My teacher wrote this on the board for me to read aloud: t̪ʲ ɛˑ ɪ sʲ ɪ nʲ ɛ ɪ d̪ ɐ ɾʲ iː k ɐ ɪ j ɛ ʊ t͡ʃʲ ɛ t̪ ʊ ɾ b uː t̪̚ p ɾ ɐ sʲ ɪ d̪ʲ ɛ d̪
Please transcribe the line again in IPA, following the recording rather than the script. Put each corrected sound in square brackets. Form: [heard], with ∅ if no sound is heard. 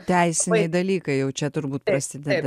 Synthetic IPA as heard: t̪ʲ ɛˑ ɪ sʲ ɪ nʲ ɛ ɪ d̪ ɐ [lʲ] iː k ɐ ɪ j ɛ ʊ t͡ʃʲ ɛ t̪ ʊ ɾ b uː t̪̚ p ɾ ɐ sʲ ɪ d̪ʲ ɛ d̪